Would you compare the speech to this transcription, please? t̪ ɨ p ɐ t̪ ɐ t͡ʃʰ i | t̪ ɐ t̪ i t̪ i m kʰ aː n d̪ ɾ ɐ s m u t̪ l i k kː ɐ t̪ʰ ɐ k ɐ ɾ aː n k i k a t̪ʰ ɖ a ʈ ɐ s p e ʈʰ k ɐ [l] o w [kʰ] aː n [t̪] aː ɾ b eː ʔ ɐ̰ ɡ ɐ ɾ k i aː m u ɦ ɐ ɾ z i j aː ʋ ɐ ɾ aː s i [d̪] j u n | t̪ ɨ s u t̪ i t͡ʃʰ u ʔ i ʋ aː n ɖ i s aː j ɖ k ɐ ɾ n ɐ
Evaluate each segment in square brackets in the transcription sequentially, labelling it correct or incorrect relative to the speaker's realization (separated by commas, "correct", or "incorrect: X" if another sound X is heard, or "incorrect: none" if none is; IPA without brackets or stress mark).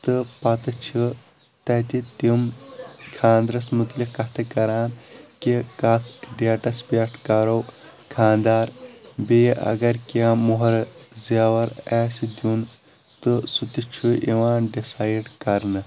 incorrect: ɾ, correct, incorrect: d̪, correct